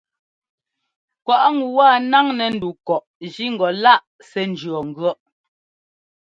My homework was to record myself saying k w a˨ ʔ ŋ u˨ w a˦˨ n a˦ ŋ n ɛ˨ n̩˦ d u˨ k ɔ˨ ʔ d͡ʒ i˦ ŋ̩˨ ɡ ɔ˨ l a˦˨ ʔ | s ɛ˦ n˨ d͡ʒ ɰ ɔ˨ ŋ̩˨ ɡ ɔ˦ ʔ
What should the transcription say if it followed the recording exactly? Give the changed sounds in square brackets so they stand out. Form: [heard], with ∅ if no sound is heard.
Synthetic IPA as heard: k w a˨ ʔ ŋ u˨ w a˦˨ n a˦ ŋ n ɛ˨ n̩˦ d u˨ k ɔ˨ ʔ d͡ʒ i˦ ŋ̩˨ ɡ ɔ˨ l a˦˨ ʔ | s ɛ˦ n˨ d͡ʒ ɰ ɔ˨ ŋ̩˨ ɡ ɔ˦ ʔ